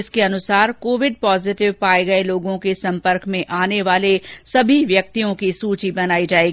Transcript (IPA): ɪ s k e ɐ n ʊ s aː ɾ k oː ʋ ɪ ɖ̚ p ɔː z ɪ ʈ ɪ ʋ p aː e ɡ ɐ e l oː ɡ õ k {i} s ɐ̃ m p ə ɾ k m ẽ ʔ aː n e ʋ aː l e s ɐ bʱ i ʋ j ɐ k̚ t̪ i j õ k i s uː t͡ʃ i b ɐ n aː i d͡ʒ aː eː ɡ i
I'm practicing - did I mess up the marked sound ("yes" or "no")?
yes